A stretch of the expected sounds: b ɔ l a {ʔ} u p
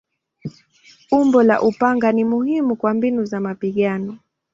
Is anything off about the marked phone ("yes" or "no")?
no